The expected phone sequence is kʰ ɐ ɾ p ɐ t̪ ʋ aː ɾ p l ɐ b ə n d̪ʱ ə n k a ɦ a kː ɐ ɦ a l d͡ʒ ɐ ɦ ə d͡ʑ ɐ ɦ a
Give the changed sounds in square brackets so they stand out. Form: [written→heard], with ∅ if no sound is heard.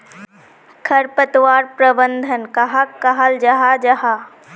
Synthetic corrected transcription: kʰ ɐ ɾ p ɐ t̪ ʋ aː ɾ p [l→ɾ] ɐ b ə n d̪ʱ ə n k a ɦ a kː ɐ ɦ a l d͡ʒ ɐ ɦ [ə→a] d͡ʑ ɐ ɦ a

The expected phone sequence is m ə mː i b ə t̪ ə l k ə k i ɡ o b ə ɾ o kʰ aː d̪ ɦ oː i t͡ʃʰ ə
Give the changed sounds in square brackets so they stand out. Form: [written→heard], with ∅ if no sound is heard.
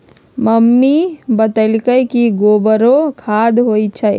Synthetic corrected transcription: m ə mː i b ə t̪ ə l k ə k i ɡ o b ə ɾ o kʰ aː d̪ ɦ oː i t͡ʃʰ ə

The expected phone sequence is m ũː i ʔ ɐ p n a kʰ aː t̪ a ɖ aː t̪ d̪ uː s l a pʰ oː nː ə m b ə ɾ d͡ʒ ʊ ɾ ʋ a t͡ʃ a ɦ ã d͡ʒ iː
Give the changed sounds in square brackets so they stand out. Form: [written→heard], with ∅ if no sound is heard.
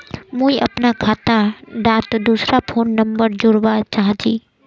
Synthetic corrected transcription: m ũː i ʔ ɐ p n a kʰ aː t̪ a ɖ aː t̪ d̪ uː s [l→ɾ] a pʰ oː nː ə m b ə ɾ d͡ʒ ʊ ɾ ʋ a t͡ʃ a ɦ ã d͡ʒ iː

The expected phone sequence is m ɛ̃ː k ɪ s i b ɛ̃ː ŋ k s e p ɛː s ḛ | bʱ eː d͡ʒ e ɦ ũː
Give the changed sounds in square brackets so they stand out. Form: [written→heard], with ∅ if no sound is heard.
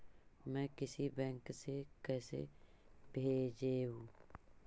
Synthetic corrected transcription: m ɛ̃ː k ɪ s i b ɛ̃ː ŋ k s e [p→k] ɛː s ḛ | bʱ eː d͡ʒ e ɦ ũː

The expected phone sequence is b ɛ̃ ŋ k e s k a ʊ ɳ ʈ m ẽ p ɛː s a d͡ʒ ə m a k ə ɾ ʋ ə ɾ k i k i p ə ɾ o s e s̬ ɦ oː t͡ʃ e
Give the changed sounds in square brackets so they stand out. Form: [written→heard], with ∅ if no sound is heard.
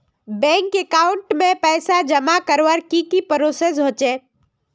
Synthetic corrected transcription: b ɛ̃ ŋ k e [s→∅] k a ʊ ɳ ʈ m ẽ p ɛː s a d͡ʒ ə m a k ə ɾ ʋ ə ɾ k i k i p ə ɾ o s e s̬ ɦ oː t͡ʃ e

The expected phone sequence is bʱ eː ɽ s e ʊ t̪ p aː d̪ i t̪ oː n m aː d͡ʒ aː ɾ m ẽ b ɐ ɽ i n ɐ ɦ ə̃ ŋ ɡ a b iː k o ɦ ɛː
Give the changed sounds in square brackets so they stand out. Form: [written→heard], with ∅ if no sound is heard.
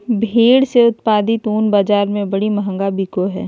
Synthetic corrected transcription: bʱ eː ɽ s e ʊ t̪ p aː d̪ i t̪ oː n [m→b] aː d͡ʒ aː ɾ m ẽ b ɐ ɽ i [n→m] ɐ ɦ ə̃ ŋ ɡ a b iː k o ɦ ɛː

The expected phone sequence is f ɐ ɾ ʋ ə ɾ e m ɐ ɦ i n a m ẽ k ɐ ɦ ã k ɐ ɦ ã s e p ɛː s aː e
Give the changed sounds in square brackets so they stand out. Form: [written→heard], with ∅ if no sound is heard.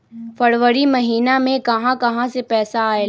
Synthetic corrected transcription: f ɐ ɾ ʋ ə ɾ [e→i] m ɐ ɦ [i→iː] n a m ẽ k ɐ ɦ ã k ɐ ɦ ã s e p ɛː s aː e

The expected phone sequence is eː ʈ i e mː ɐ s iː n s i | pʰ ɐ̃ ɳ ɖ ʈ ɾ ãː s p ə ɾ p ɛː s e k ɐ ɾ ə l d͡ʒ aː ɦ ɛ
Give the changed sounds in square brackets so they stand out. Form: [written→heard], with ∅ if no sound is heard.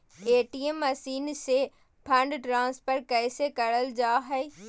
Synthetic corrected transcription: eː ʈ i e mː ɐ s iː n s [i→e] | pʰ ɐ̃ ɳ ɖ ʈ ɾ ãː s p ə ɾ [p→k] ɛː s e k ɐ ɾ ə l d͡ʒ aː ɦ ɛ

